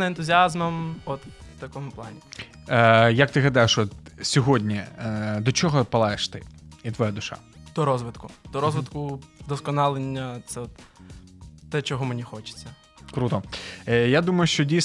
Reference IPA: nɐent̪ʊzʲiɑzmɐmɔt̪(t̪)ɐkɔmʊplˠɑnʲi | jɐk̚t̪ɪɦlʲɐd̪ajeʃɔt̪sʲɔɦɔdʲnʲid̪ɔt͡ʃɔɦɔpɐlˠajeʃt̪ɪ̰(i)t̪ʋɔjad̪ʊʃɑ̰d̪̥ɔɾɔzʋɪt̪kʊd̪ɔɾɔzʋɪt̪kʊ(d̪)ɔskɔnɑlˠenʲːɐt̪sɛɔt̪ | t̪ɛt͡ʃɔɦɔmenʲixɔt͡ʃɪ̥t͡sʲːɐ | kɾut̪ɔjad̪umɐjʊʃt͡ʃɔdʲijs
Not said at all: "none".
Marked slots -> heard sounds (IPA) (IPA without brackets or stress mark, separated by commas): t̪, i, d̪